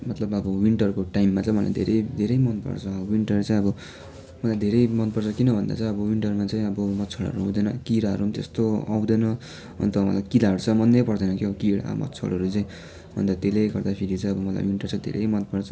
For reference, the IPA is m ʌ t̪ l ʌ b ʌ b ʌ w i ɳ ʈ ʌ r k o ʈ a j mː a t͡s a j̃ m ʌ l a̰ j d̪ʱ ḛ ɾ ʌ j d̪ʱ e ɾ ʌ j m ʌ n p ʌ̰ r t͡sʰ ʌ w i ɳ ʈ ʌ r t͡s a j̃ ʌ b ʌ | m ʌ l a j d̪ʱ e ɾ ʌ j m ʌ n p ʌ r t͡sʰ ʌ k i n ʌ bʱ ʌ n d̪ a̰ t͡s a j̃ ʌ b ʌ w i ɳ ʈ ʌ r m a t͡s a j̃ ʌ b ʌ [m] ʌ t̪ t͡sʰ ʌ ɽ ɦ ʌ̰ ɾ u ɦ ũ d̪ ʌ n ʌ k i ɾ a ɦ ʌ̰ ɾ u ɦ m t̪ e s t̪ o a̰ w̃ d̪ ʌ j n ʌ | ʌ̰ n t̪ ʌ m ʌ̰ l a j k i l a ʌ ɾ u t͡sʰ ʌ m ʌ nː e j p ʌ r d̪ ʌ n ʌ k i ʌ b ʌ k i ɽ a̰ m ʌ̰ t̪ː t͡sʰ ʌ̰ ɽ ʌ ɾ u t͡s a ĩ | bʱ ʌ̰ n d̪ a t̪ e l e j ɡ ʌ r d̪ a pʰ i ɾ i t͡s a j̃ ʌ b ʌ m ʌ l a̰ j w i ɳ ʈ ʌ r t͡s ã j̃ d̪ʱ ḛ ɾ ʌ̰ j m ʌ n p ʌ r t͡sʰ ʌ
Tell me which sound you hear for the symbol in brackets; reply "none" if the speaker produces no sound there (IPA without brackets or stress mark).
m